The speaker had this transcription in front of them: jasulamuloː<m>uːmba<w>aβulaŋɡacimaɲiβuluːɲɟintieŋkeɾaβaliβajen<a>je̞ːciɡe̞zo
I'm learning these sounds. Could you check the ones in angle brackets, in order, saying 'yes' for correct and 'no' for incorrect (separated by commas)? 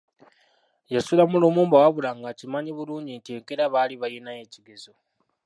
yes, yes, yes